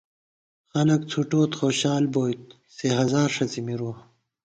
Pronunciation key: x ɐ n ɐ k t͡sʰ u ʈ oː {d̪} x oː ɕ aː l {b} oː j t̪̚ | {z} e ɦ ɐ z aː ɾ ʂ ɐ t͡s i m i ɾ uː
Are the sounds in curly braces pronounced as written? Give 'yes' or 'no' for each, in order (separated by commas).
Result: no, yes, no